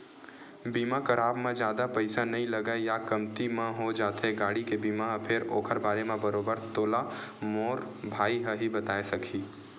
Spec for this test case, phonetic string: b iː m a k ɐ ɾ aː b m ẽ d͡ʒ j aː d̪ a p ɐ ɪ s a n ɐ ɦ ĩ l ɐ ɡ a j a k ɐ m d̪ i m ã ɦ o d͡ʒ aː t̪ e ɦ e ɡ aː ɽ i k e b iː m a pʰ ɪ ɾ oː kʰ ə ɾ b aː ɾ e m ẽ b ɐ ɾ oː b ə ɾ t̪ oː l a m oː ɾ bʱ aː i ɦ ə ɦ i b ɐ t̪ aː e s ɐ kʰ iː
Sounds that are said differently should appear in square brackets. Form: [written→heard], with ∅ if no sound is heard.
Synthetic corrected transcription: b iː m a k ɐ ɾ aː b m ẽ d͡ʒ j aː d̪ a p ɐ ɪ s a n ɐ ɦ ĩ l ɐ ɡ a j a k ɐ m [d̪→t̪] i m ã ɦ o d͡ʒ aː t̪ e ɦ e ɡ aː ɽ i k e b iː m a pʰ ɪ ɾ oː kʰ ə ɾ b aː ɾ e m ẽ b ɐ ɾ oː b ə ɾ t̪ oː l a m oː ɾ bʱ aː i ɦ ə ɦ i b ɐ t̪ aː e s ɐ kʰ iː

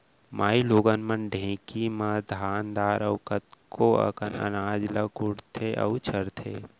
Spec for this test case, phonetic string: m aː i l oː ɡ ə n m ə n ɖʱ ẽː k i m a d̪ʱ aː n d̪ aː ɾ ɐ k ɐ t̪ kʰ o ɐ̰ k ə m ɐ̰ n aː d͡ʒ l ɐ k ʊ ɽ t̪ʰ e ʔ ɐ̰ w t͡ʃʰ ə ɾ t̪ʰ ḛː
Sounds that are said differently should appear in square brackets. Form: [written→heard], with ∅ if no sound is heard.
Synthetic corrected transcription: m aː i l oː ɡ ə n m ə n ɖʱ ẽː k i m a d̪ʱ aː n d̪ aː ɾ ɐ k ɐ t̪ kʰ o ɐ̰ k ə [m→n] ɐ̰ n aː d͡ʒ l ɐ k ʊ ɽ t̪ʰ e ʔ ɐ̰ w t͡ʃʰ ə ɾ t̪ʰ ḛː

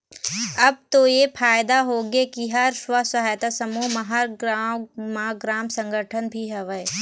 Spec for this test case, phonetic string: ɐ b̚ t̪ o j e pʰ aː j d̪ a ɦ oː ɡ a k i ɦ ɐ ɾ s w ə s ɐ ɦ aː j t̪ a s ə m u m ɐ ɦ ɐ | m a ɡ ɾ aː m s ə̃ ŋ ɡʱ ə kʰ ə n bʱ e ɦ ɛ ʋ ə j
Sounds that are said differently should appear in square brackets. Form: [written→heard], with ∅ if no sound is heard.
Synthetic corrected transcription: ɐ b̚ t̪ o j e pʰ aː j d̪ a ɦ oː ɡ [a→e] k i ɦ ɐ ɾ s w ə s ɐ ɦ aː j t̪ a s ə m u m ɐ ɦ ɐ | m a ɡ ɾ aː m s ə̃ ŋ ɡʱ ə [kʰ→ʈʰ] ə n bʱ [e→i] ɦ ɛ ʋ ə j

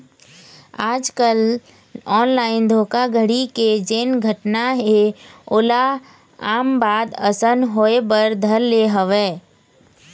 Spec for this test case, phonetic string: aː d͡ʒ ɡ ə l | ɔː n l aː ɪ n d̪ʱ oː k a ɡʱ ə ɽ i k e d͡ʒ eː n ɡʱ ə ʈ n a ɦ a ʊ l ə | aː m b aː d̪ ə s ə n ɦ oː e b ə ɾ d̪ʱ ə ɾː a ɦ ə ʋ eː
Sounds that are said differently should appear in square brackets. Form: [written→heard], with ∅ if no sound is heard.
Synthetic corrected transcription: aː d͡ʒ [ɡ→k] ə l | ɔː n l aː ɪ n d̪ʱ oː k a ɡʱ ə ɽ i k e d͡ʒ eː n ɡʱ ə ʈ n a ɦ [a→e] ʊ l [ə→a] | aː m b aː d̪ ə s ə n ɦ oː e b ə ɾ d̪ʱ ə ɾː [a→e] ɦ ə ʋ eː

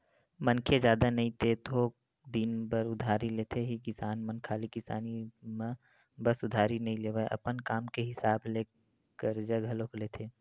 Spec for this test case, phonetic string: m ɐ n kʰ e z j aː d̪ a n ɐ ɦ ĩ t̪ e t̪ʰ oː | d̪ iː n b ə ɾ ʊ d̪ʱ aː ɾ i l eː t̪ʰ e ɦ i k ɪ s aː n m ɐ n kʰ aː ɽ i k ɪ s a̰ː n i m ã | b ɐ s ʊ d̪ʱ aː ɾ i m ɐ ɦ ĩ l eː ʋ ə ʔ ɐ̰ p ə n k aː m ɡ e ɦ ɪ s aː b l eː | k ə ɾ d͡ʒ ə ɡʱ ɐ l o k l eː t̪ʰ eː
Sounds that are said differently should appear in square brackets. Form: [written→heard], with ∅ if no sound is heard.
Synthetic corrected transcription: m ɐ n kʰ e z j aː d̪ a n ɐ ɦ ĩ t̪ e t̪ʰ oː | d̪ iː n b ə ɾ ʊ d̪ʱ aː ɾ i l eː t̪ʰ e ɦ i k ɪ s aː n m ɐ n kʰ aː [ɽ→l] i k ɪ s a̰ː n i m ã | b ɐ s ʊ d̪ʱ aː ɾ i [m→n] ɐ ɦ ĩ l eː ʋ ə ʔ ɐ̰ p ə n k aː m [ɡ→k] e ɦ ɪ s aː b l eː | k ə ɾ d͡ʒ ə ɡʱ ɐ l o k l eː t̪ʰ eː

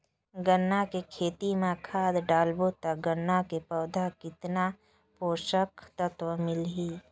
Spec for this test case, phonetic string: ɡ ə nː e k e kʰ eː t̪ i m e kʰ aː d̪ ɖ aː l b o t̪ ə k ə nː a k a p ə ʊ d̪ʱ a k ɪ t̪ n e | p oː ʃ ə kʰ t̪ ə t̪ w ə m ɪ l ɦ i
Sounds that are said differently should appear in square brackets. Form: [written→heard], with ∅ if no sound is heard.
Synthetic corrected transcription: ɡ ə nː [e→a] k e kʰ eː t̪ i m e kʰ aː d̪ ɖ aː l b o t̪ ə [k→ɡ] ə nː a k [a→e] p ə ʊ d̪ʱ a k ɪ t̪ n [e→a] | p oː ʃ ə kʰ t̪ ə t̪ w ə m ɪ l ɦ i

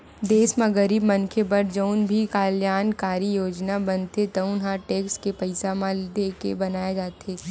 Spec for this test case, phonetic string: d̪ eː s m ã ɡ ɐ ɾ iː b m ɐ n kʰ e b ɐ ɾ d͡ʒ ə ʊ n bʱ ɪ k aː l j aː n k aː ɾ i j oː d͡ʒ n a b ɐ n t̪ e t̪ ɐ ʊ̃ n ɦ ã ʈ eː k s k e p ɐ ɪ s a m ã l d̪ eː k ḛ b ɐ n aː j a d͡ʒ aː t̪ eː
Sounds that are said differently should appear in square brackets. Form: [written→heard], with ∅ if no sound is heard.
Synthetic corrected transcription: d̪ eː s m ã ɡ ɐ ɾ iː b m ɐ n kʰ e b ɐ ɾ d͡ʒ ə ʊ n bʱ [ɪ→i] k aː l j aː n k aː ɾ i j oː d͡ʒ n a b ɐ n t̪ e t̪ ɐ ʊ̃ n ɦ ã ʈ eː k s k e p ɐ ɪ s a m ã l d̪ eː k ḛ b ɐ n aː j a d͡ʒ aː t̪ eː

